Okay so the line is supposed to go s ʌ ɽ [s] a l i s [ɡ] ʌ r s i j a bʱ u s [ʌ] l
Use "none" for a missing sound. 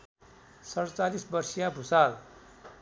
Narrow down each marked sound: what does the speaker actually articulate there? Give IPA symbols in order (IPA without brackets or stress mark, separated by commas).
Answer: t͡s, b, a